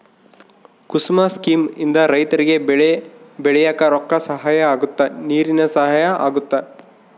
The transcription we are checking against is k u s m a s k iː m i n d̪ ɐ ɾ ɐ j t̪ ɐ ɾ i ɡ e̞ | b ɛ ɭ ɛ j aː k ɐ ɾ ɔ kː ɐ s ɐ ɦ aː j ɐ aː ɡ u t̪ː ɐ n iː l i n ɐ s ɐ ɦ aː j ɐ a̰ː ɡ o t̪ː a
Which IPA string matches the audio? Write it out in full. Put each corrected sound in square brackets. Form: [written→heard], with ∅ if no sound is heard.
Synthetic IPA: k u s m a s k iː m i n d̪ ɐ ɾ ɐ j t̪ ɐ ɾ i ɡ e̞ | b ɛ ɭ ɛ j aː k ɐ ɾ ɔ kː ɐ s ɐ ɦ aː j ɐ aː ɡ u t̪ː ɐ n iː [l→ɾ] i n ɐ s ɐ ɦ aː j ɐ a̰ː ɡ [o→u] t̪ː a